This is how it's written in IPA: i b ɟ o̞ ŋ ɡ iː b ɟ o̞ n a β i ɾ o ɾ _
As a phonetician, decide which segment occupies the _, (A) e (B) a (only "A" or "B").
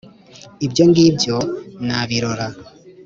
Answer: B